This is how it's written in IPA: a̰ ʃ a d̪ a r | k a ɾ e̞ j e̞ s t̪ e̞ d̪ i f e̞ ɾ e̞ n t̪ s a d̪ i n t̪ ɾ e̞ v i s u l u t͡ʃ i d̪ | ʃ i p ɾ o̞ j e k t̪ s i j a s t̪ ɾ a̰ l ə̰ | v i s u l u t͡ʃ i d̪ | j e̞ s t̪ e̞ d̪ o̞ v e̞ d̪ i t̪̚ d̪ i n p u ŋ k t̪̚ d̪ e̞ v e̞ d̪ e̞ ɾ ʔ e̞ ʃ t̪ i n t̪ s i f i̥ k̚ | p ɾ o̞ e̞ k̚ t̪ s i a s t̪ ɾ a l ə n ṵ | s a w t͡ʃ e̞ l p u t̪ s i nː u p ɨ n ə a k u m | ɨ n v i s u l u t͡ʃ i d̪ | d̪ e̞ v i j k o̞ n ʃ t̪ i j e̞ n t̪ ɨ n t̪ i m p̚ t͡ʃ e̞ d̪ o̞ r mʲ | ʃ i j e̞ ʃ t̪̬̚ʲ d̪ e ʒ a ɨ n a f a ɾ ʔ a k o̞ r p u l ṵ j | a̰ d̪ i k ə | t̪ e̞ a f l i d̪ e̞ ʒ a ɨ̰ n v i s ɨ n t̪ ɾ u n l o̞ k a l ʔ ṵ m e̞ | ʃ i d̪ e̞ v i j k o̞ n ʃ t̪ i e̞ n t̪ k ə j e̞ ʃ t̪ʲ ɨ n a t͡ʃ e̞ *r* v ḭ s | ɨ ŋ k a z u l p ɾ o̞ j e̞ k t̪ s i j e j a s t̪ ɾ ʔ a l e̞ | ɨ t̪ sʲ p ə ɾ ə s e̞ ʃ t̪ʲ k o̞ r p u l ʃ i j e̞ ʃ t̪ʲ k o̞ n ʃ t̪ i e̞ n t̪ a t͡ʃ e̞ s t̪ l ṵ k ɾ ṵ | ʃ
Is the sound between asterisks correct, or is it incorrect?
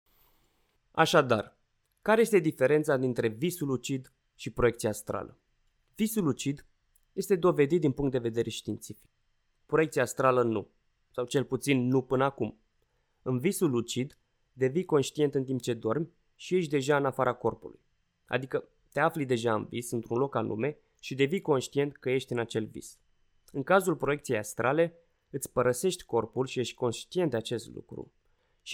incorrect